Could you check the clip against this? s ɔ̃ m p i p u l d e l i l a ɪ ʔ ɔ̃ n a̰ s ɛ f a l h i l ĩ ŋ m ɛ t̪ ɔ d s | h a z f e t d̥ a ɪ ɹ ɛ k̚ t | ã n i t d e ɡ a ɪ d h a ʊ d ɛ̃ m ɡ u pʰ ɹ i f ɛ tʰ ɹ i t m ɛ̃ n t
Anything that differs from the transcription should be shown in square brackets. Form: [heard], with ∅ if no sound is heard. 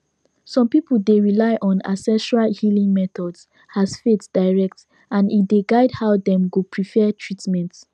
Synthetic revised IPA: s ɔ̃ m p i p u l d e [ɹ] i l a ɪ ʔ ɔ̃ n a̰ s ɛ [ʃ] a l h i l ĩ ŋ m ɛ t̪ ɔ d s | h a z f e t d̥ a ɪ ɹ ɛ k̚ t | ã n i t d e ɡ a ɪ d h a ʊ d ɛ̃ m ɡ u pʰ ɹ i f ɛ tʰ ɹ i t m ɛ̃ n t

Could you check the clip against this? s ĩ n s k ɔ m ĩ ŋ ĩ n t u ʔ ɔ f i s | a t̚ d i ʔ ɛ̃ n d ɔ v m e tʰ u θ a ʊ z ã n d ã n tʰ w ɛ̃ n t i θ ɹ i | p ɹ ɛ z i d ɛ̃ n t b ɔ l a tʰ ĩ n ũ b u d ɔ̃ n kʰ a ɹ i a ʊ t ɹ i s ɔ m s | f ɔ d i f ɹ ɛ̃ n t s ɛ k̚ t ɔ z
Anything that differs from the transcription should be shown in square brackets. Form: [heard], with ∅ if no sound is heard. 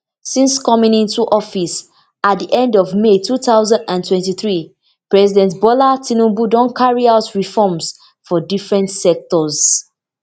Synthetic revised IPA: s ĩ n s k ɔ m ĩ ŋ ĩ n t u ʔ ɔ f i s | a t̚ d i ʔ ɛ̃ n d ɔ v m e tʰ u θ a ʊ z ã n d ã n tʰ w ɛ̃ n t i θ ɹ i | p ɹ ɛ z i d ɛ̃ n t b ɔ l a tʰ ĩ n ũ b u d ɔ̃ n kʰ a ɹ i a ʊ t ɹ i [f] ɔ m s | f ɔ d i f ɹ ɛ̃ n t s ɛ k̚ t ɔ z

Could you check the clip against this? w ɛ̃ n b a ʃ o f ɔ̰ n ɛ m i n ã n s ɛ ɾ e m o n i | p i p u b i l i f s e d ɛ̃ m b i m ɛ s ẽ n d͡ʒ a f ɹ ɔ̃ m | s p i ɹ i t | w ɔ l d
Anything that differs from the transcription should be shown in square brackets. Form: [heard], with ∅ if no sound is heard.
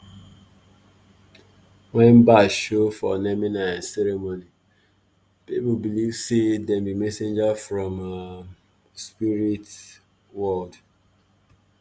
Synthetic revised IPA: w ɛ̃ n b a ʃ o f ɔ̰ n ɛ m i n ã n s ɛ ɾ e m o n i | p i p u b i l i [v] s e d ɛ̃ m b i m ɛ s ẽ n d͡ʒ a f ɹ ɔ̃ m | s p i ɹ i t | w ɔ l d

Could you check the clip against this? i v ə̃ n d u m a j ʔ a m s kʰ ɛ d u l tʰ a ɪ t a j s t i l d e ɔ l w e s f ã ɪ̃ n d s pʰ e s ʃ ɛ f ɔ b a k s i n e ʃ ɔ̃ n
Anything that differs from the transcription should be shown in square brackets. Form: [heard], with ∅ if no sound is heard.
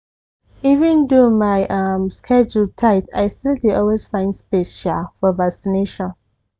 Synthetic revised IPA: i v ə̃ n d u m a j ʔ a m s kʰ ɛ [d͡ʒ] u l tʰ a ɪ t a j s t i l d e ɔ l w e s f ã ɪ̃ n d s [p] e s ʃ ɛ f ɔ [v] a k s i n e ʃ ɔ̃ n

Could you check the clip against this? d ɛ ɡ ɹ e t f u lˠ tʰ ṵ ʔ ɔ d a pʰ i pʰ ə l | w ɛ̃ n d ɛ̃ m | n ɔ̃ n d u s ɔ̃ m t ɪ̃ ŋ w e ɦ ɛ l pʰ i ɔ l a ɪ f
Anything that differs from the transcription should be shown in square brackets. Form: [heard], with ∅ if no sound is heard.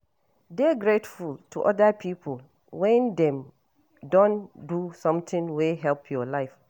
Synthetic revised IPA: d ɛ ɡ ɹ e t f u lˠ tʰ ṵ ʔ ɔ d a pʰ i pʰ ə l | w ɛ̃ n d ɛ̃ m | [d] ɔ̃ n d u s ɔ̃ m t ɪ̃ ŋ w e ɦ ɛ l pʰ [j] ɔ l a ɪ f

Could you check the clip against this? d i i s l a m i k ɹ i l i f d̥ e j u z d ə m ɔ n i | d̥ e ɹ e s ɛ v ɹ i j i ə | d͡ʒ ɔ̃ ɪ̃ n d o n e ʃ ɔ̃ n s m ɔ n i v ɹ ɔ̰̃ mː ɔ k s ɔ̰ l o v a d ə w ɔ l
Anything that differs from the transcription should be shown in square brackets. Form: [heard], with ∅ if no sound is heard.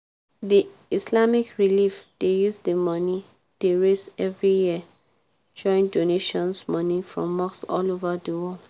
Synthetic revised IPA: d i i s l a m i k ɹ i l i f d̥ e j u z d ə m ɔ n i | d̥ e ɹ e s ɛ v ɹ i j i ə | d͡ʒ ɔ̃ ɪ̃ n d o n e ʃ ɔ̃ n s m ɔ n i [f] ɹ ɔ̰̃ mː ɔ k s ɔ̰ l o v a d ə w ɔ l

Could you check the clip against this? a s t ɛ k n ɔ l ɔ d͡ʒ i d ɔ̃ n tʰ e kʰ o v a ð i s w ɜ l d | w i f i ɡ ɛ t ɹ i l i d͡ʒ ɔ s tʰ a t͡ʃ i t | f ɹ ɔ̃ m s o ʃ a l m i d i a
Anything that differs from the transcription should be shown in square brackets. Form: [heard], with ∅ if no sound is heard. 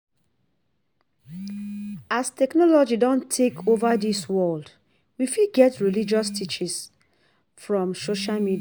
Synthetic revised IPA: a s t ɛ k n ɔ l ɔ d͡ʒ i d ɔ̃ n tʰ e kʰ o v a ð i s w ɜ l d | w i f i ɡ ɛ t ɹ i l i d͡ʒ ɔ s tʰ [i] t͡ʃ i [s] | f ɹ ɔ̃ m s o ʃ a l m i d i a

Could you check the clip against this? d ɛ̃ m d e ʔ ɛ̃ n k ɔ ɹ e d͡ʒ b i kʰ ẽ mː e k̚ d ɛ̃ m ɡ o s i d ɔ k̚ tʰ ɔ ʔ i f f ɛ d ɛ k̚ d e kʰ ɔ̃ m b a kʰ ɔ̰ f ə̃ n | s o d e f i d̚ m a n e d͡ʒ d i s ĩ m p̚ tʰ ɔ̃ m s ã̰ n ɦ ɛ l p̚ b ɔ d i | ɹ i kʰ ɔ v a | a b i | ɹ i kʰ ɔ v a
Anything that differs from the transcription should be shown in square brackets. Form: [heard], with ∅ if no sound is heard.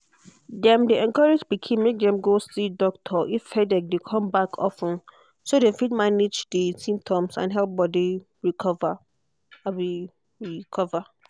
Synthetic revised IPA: d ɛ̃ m d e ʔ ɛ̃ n k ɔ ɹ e d͡ʒ b i kʰ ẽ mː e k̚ d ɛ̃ m ɡ o s i d ɔ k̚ tʰ ɔ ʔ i f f ɛ d ɛ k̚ d e kʰ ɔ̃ m b a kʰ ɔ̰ f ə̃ n | s o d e f i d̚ m a n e d͡ʒ d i s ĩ m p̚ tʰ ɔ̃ m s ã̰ n ɦ ɛ l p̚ b ɔ d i | ɹ i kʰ ɔ v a | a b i | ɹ i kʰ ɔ v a

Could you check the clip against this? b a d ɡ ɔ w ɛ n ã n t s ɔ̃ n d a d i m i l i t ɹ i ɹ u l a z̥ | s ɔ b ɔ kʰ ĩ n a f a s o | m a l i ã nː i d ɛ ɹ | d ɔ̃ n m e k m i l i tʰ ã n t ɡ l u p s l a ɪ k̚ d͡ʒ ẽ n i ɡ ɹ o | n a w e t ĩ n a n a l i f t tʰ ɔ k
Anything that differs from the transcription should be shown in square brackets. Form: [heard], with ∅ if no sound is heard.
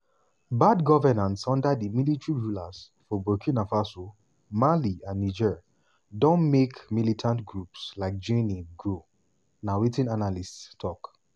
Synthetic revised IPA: b a d ɡ ɔ [v] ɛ n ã n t s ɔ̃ n d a d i m i l i t ɹ i ɹ u l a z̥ | [f] ɔ b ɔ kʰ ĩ n a f a s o | m a l i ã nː i [d͡ʒ] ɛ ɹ | d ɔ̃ n m e k m i l i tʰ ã n t ɡ [ɹ] u p s l a ɪ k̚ d͡ʒ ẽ n i ɡ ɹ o | n a w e t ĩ n a n a l i [s] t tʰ ɔ k

